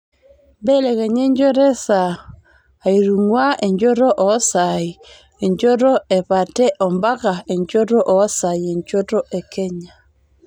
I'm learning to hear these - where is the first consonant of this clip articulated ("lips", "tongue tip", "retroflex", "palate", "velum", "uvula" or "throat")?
lips